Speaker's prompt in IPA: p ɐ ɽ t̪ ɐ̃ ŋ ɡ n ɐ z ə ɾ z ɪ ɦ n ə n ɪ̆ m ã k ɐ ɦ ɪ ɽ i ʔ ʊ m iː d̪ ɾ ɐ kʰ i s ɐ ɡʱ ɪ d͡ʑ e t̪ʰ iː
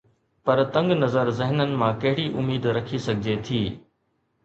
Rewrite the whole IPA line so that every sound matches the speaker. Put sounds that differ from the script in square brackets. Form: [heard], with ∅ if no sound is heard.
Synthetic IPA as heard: p ɐ [ɾ] t̪ ɐ̃ ŋ ɡ n ɐ z ə ɾ z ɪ ɦ n ə n ɪ̆ m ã k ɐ ɦ ɪ ɽ i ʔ ʊ m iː d̪ ɾ ɐ kʰ i s ɐ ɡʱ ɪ d͡ʑ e t̪ʰ iː